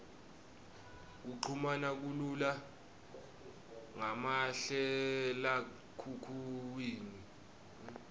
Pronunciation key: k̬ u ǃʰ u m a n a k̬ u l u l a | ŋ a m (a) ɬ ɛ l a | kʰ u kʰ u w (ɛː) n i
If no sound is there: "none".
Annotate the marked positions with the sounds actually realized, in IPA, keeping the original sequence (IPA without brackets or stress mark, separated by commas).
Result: a, iː